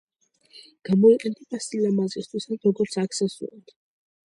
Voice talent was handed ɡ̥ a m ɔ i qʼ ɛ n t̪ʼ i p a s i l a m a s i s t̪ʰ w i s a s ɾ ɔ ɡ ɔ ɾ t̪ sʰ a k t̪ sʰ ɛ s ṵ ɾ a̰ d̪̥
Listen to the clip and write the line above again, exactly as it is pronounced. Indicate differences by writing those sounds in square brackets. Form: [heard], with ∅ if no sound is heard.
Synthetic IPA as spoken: ɡ̥ a m ɔ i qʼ ɛ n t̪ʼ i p a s i l a m a [z] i s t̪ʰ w i s a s ɾ ɔ ɡ ɔ ɾ t̪ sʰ a k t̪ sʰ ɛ s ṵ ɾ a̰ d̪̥